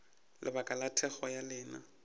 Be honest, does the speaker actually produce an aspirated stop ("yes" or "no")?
yes